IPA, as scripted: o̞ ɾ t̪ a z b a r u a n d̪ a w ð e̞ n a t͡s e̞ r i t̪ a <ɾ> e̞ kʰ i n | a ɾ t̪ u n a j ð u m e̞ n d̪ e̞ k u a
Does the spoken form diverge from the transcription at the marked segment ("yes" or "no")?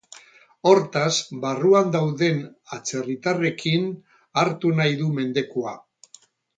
yes